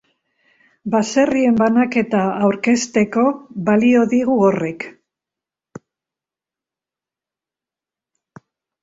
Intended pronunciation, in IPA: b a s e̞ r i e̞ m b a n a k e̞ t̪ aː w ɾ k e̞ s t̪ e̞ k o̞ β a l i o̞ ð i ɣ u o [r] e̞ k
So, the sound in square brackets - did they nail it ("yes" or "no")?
yes